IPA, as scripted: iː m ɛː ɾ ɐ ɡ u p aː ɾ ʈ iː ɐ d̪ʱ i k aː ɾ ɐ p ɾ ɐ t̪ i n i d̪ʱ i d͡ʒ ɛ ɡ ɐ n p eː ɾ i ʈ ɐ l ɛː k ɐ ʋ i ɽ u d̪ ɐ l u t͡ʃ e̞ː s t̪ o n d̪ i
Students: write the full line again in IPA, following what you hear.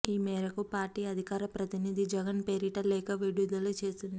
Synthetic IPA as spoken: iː m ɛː ɾ ɐ k u p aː ɾ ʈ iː ɐ d̪ʱ i k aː ɾ ɐ p ɾ ɐ t̪ i n i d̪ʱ i d͡ʒ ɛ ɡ ɐ n p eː ɾ i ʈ ɐ l ɛː k ɐ ʋ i ɽ u d̪ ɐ l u t͡ʃ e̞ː s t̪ u n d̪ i